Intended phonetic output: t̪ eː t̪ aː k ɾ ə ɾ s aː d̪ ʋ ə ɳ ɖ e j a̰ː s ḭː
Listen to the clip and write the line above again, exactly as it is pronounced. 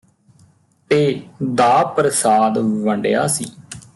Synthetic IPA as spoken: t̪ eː d̪ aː p ɾ ə s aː d̪ ʋ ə ɳ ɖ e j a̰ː s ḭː